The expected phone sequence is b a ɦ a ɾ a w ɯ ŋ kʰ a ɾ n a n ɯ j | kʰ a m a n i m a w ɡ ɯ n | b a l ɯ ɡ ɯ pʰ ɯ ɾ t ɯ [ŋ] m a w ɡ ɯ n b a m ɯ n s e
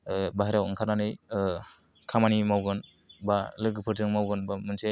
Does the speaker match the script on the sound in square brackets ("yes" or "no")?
yes